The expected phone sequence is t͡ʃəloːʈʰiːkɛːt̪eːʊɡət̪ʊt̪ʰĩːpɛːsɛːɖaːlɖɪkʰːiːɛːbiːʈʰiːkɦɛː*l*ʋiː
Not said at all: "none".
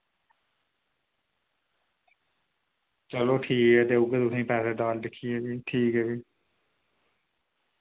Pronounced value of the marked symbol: none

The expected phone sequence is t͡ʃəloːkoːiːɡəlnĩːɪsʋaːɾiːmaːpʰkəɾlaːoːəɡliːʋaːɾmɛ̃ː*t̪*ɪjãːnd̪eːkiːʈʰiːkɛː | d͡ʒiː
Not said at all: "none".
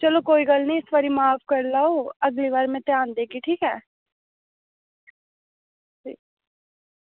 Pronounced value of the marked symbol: t̪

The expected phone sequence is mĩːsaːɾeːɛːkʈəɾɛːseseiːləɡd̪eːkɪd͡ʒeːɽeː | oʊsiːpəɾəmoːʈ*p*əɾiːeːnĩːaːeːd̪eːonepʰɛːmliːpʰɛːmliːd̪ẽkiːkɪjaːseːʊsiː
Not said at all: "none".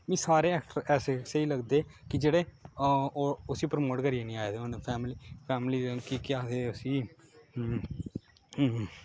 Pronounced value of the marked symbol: k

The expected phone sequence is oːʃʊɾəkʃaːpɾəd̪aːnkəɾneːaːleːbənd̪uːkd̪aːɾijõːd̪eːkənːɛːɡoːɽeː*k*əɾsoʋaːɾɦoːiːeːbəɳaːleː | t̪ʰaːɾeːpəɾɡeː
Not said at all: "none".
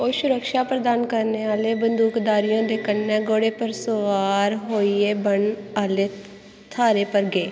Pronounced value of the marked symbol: p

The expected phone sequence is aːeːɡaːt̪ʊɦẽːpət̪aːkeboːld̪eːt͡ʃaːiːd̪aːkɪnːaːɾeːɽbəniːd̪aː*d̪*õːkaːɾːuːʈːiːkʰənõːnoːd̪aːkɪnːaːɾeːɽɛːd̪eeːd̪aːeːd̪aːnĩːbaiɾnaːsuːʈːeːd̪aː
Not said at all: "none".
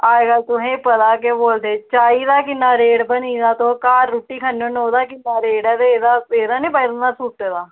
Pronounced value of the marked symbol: t̪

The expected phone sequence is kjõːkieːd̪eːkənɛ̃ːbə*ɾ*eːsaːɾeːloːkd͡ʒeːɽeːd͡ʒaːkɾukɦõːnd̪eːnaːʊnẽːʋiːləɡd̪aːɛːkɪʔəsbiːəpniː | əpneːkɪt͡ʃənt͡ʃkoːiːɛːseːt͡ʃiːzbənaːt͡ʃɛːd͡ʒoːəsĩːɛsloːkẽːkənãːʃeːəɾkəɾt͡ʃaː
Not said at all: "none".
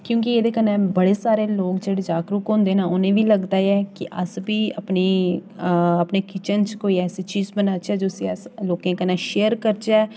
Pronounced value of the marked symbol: ɽ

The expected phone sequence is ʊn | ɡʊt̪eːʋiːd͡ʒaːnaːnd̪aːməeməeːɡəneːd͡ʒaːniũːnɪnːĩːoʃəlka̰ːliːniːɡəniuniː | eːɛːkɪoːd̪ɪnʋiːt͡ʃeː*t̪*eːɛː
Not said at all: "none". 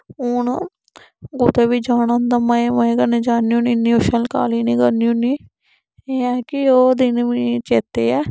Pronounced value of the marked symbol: t̪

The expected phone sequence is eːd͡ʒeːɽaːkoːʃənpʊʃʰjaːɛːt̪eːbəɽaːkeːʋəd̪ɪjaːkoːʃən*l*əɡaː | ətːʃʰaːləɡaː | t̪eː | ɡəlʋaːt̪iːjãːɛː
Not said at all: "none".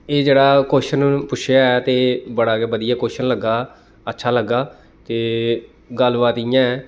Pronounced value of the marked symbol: l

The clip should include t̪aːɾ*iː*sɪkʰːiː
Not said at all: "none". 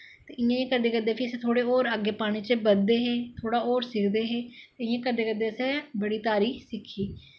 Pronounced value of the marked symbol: iː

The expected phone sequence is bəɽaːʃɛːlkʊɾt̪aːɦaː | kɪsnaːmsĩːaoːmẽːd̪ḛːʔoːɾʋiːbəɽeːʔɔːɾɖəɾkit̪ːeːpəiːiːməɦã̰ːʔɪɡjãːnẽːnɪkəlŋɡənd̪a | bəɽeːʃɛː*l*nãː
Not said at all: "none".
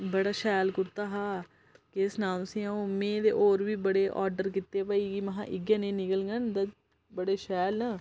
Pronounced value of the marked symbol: l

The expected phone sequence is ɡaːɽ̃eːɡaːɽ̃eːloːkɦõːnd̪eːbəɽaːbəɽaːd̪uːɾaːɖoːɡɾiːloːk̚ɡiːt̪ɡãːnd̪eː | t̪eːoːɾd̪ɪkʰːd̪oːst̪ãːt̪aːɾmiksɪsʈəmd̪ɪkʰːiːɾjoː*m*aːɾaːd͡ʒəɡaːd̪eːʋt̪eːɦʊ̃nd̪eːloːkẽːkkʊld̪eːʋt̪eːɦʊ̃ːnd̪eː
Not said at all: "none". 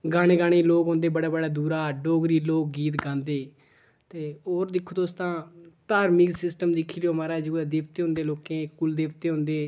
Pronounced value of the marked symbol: m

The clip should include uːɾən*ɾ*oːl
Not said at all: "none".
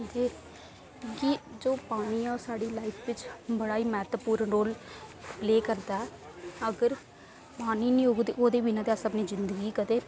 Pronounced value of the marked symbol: ɾ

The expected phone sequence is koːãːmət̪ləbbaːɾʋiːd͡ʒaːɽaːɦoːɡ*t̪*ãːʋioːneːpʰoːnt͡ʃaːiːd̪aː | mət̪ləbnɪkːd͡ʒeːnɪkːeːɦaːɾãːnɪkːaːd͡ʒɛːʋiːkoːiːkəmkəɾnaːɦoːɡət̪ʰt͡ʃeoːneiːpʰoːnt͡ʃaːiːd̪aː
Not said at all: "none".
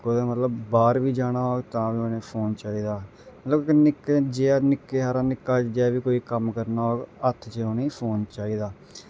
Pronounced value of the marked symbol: t̪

